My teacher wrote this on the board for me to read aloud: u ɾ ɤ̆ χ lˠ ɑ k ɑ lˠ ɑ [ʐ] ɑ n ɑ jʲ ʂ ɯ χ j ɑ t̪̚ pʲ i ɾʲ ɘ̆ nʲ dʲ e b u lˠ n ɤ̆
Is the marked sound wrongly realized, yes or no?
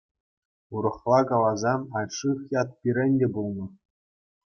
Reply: yes